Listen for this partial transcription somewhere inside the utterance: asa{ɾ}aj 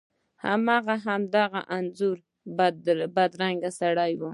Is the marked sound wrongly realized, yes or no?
yes